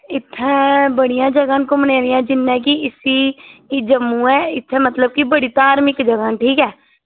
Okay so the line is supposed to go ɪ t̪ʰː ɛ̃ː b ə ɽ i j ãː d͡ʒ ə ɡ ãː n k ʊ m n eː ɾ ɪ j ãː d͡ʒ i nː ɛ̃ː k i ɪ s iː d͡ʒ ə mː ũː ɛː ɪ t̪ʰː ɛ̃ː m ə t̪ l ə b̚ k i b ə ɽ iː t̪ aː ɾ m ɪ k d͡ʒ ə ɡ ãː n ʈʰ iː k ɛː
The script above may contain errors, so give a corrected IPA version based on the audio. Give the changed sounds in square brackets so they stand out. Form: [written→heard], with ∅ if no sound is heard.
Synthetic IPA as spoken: ɪ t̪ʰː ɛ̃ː b ə ɽ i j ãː d͡ʒ ə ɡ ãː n k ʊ m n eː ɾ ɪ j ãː d͡ʒ [i→ɪ] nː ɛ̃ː k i ɪ s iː d͡ʒ ə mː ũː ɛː ɪ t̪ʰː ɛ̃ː m ə t̪ l ə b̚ k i b ə ɽ iː t̪ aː ɾ m ɪ k d͡ʒ ə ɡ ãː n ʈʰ iː k ɛː